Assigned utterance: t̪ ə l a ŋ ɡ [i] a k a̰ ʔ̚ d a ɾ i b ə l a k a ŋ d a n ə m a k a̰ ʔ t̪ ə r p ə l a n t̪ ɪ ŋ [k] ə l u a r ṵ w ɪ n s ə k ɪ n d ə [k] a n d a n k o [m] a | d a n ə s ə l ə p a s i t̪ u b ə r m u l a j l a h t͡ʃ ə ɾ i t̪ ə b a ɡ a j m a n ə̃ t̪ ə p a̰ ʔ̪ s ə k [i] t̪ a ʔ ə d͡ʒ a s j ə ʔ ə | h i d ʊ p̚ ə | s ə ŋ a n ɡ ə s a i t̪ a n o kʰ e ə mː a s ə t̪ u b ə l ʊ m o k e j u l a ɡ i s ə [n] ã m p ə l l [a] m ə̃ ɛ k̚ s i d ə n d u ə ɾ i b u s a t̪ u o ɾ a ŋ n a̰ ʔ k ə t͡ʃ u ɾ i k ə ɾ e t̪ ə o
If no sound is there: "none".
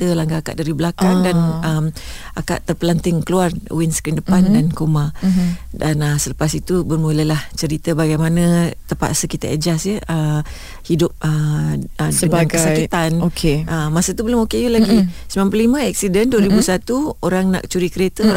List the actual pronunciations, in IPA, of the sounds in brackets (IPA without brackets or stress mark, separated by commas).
a, k, p, m, i, m, i